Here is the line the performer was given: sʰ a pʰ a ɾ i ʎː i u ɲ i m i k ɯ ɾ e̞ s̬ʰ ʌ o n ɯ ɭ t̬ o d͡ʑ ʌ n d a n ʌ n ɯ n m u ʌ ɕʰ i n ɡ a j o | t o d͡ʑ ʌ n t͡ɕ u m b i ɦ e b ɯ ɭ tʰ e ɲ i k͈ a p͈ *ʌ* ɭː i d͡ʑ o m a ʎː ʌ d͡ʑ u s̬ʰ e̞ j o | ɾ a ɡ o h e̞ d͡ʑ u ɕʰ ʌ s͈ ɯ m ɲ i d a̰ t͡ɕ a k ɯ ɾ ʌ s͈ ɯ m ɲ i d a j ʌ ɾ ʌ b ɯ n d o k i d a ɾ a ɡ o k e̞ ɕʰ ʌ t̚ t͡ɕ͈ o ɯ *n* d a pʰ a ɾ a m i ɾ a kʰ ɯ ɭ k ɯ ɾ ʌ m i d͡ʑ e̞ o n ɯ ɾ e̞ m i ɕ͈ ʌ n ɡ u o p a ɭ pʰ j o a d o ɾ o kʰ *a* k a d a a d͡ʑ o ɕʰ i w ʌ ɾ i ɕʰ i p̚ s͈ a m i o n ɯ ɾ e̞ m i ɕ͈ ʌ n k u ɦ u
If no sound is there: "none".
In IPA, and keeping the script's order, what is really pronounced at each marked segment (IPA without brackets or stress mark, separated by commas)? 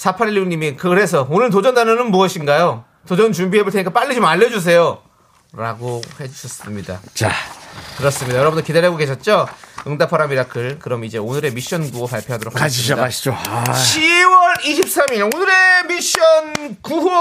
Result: a, ŋ, a